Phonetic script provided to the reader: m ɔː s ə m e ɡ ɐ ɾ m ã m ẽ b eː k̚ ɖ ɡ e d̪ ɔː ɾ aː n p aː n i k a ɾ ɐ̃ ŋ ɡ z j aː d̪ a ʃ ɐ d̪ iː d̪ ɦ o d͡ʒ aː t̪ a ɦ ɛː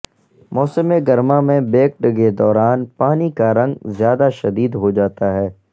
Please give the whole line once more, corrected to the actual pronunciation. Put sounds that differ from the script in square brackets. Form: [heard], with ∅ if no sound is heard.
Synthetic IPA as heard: m ɔː s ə m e ɡ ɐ ɾ m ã m ẽ b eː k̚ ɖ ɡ e d̪ ɔː ɾ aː n p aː n i k a ɾ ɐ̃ ŋ ɡ z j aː d̪ a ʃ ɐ d̪ iː d̪ ɦ o d͡ʒ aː t̪ a ɦ ɛː